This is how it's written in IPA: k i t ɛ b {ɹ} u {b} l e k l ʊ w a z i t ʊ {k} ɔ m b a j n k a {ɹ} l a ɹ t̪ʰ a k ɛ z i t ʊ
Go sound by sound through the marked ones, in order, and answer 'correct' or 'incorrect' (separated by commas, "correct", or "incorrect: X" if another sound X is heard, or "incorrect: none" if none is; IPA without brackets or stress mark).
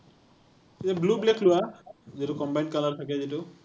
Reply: incorrect: l, correct, correct, incorrect: none